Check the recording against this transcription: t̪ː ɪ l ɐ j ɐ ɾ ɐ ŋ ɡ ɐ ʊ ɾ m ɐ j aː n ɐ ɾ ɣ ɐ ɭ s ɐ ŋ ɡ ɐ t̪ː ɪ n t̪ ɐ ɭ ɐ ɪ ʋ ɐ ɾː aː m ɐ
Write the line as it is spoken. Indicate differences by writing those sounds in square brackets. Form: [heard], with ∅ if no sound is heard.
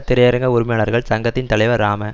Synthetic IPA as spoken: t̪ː ɪ [ɾ] ɐ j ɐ ɾ ɐ ŋ ɡ ɐ ʊ ɾ m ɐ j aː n ɐ ɾ ɣ ɐ ɭ s ɐ ŋ ɡ ɐ t̪ː ɪ n t̪ ɐ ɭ ɐ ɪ ʋ ɐ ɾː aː m ɐ